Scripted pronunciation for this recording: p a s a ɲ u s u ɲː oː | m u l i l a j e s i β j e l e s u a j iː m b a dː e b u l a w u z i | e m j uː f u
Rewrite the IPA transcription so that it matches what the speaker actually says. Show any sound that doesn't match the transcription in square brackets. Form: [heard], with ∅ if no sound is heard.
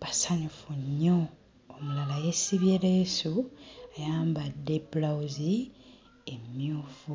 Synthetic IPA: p a s a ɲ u [f] u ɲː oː | m u l [a] l a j e s i β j e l e s u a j [aː] m b a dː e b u l a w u z i | e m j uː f u